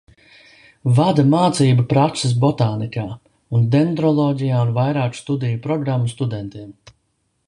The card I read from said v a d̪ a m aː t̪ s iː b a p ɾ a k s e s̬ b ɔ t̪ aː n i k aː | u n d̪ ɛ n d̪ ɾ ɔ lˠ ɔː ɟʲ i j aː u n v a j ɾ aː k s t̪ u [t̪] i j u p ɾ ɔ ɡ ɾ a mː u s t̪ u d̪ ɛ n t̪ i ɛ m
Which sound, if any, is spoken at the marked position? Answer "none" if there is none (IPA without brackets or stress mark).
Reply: d̪